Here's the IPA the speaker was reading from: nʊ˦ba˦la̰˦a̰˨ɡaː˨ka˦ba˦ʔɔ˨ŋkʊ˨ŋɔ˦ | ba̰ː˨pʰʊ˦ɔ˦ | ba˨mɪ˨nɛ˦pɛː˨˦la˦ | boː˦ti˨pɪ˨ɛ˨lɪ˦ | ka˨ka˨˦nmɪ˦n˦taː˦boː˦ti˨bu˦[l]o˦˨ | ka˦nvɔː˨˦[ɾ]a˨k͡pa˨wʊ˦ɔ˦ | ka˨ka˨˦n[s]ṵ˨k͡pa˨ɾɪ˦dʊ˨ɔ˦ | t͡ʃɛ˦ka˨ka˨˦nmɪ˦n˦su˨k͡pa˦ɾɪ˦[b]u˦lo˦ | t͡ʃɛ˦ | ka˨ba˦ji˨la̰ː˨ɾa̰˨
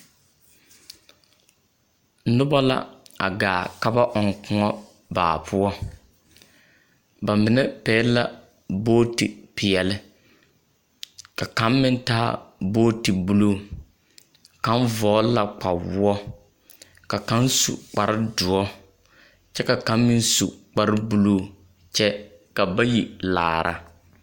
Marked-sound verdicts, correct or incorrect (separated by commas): correct, incorrect, correct, correct